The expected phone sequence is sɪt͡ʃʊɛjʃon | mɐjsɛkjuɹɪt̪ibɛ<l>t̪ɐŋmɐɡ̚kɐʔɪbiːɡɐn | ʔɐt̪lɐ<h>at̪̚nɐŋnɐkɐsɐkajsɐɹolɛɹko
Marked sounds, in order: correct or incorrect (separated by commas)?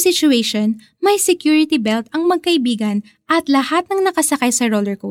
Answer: correct, correct